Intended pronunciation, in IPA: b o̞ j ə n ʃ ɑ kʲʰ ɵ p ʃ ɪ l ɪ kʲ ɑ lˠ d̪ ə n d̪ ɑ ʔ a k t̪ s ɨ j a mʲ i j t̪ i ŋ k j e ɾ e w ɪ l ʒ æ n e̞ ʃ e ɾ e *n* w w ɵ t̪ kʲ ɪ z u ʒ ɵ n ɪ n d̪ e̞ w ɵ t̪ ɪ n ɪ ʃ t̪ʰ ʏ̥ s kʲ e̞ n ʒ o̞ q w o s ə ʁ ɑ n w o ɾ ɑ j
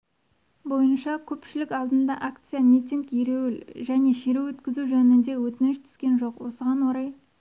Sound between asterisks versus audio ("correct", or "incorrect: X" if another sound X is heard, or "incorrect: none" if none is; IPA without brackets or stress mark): incorrect: none